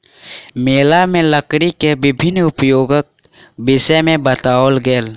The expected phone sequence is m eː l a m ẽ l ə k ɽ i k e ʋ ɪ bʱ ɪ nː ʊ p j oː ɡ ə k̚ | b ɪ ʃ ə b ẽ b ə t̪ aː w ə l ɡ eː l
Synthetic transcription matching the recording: m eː l a m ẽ l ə k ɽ i k e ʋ ɪ bʱ ɪ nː ʊ p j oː ɡ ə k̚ | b ɪ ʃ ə m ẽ b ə t̪ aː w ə l ɡ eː l